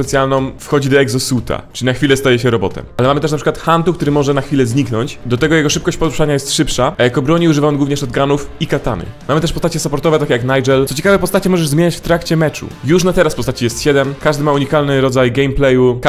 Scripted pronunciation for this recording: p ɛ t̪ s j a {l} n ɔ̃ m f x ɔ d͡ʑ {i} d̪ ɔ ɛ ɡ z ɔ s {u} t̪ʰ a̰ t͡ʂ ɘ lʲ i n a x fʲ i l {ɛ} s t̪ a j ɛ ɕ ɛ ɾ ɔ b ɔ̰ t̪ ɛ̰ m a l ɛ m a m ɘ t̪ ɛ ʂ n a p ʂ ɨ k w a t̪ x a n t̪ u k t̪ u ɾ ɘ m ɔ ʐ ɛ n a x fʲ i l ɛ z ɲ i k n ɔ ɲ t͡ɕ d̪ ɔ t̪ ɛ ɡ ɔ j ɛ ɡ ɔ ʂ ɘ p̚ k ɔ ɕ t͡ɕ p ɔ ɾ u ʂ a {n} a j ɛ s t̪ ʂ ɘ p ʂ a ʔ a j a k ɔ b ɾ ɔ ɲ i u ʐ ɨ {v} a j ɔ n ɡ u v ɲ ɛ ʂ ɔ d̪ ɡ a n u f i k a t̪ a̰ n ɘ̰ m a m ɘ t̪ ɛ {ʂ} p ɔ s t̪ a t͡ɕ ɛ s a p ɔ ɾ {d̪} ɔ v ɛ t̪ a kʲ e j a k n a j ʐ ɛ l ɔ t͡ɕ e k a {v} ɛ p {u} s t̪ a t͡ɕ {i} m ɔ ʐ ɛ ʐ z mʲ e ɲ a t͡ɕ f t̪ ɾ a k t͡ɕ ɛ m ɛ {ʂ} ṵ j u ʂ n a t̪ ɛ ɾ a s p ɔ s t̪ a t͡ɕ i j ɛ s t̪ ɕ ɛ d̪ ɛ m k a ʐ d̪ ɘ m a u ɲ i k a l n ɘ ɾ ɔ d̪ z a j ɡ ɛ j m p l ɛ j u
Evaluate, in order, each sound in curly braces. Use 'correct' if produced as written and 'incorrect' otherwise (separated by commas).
correct, correct, correct, correct, incorrect, correct, correct, incorrect, correct, incorrect, incorrect, incorrect